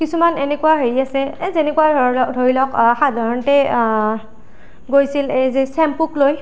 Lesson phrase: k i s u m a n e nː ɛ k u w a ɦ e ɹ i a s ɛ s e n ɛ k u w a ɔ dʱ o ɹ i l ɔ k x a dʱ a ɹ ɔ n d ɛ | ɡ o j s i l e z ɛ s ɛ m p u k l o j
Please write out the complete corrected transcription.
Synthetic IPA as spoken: k i s u m a n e n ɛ k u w a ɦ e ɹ i a s ɛ z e n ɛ k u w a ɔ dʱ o ɹ i l ɔ k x a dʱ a ɹ ɔ n t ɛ | ɡ o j s i l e z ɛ s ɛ m p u k l o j